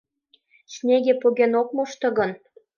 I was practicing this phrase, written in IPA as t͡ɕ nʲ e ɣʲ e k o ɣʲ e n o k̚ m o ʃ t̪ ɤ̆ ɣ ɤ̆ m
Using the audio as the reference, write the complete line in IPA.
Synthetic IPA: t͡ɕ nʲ e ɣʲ e p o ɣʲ e n o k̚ m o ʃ t̪ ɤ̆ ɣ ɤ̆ n